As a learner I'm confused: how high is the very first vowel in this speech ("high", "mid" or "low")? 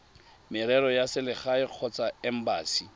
high